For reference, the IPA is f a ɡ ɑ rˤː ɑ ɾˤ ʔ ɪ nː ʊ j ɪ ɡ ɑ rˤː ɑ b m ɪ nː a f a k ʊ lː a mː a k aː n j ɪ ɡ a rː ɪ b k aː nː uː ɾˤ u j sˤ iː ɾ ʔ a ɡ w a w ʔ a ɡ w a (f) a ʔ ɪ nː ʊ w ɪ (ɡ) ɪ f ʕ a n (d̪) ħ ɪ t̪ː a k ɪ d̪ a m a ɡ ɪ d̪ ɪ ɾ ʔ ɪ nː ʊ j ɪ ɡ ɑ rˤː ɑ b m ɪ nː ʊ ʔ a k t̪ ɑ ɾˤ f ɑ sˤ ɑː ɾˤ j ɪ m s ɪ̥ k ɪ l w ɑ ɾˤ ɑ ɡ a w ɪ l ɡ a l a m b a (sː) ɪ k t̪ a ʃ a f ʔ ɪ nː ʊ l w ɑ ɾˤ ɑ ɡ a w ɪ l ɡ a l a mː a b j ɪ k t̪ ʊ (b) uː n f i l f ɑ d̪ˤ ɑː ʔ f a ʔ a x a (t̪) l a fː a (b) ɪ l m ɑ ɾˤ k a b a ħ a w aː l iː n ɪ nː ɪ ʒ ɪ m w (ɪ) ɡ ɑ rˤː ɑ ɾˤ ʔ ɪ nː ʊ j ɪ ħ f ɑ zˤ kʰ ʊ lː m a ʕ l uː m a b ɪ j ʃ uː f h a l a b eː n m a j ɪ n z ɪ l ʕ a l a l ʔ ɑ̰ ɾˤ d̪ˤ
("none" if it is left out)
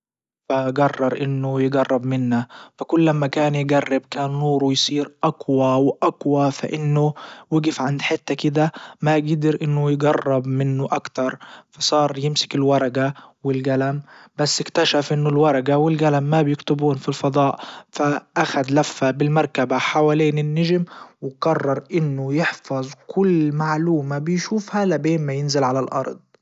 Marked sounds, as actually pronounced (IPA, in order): f, ɡ, d̪, sː, b, d̪, b, ɪ

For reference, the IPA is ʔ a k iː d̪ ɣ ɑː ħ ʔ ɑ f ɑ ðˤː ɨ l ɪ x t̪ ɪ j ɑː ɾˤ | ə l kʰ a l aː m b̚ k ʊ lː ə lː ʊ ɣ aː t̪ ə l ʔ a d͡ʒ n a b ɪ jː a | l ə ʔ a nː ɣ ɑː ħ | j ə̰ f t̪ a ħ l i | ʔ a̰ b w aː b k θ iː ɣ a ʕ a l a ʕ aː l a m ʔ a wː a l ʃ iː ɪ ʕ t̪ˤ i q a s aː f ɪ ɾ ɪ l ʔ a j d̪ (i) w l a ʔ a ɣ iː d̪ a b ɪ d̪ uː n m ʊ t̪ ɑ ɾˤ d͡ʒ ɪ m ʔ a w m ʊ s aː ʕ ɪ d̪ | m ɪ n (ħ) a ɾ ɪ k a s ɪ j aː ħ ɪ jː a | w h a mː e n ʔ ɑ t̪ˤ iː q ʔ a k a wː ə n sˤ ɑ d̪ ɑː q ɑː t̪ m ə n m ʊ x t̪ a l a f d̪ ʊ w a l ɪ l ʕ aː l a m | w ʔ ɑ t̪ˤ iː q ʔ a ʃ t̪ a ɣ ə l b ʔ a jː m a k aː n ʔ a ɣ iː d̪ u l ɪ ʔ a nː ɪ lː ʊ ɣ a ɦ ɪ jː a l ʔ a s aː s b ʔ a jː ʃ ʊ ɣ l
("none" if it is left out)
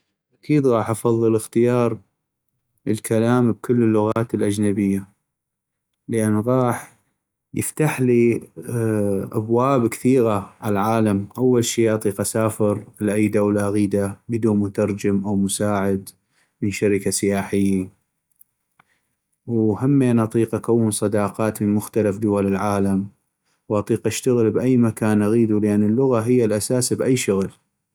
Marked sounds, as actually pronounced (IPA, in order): a, ʃ

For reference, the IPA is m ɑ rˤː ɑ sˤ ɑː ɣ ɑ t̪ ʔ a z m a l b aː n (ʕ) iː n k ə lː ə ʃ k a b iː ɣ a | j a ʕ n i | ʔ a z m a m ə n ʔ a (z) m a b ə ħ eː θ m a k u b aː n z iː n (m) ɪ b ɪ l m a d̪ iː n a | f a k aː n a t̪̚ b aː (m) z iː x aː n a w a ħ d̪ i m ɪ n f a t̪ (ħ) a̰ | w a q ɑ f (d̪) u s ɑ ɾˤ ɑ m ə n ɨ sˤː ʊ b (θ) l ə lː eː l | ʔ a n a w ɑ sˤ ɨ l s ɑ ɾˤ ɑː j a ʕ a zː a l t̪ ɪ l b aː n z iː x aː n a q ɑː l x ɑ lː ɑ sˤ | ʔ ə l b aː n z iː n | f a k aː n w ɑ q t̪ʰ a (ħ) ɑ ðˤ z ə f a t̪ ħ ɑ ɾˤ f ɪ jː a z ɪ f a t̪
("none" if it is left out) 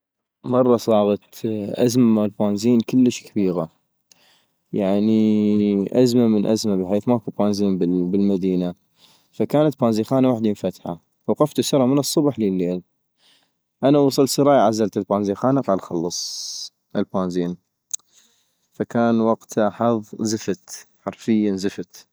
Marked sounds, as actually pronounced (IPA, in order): z, z, b, n, ħ, t̪, ħ, ħ

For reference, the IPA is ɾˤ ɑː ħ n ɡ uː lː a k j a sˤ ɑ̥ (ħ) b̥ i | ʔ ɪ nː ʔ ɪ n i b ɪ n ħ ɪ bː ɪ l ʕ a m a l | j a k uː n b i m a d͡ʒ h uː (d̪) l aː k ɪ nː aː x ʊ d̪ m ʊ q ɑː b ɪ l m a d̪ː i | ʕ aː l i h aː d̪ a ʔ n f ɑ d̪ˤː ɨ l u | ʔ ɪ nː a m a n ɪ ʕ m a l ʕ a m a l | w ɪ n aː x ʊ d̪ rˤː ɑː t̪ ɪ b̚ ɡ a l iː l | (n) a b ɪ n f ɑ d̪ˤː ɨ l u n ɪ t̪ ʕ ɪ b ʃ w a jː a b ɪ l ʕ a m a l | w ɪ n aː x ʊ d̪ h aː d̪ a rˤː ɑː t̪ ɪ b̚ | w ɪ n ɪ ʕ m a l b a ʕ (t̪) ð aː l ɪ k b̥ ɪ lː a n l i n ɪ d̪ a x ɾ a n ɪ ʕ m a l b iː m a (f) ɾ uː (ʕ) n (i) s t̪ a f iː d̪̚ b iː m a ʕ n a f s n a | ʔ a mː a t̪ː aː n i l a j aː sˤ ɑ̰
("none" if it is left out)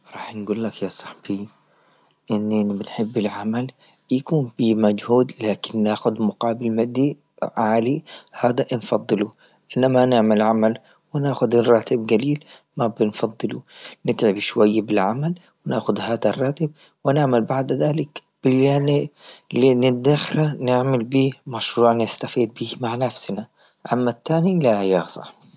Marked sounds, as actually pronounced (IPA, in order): ħ, d̪, m, d̪, ʃ, ʕ, ɪ

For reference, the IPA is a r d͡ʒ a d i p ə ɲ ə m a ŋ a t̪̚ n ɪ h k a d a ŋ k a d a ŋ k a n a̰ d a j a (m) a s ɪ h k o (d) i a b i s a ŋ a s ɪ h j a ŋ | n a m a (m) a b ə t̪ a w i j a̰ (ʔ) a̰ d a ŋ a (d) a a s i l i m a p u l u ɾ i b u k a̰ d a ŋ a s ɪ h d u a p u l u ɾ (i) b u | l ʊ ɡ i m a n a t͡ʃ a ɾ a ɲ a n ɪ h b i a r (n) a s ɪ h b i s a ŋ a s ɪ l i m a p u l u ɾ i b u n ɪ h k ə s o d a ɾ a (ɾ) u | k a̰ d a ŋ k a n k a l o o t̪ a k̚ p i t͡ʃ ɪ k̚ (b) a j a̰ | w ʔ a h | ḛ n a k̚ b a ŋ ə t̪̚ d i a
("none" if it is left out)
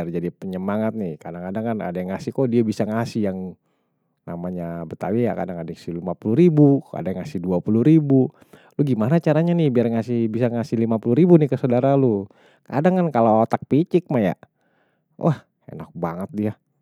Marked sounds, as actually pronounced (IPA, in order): ŋ, d, ɲ, k, d, i, ŋ, l, m

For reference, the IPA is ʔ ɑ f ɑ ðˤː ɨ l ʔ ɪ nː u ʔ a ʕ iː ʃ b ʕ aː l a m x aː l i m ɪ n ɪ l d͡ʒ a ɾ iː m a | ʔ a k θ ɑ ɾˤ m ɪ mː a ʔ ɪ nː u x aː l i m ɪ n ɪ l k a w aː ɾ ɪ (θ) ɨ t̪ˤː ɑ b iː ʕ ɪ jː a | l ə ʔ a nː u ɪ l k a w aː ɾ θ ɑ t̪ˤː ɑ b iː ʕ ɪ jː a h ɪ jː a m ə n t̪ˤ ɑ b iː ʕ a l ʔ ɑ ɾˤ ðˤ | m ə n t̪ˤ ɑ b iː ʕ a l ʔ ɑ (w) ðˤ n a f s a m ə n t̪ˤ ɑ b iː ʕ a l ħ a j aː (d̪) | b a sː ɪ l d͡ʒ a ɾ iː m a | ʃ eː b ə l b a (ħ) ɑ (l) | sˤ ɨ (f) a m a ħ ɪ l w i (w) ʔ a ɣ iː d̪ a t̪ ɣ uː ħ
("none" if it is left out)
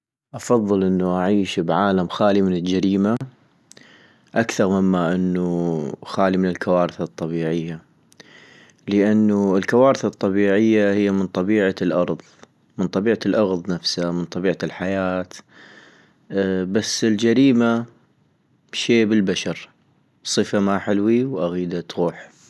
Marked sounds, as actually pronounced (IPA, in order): θ, ɣ, t̪, ʃ, ɾ, f, w

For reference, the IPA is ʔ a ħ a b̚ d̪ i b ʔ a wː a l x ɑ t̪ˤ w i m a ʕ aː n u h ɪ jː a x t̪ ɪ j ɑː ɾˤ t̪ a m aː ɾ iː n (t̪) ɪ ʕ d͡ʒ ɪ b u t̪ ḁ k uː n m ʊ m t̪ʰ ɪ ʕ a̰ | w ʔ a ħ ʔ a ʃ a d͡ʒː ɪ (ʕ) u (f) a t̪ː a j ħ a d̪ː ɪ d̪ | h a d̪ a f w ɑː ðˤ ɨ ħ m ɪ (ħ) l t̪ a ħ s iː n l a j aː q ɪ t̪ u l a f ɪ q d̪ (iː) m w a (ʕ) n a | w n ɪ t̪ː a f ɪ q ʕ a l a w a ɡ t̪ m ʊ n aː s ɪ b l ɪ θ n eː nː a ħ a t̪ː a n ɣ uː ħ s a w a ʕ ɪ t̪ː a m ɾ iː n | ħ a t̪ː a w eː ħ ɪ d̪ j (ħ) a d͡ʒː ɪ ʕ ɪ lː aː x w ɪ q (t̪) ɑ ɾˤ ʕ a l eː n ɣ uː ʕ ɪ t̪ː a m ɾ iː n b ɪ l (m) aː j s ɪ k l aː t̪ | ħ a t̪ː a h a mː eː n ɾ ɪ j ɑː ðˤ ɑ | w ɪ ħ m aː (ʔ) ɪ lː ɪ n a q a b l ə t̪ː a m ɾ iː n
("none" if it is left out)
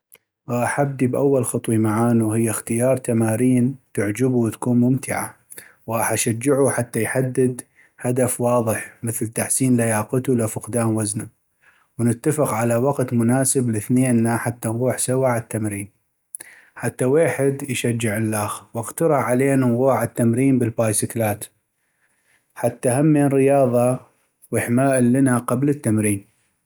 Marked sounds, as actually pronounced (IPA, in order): t̪, ʕ, ħ, θ, aː, z, ʃ, t̪, b, ʔ

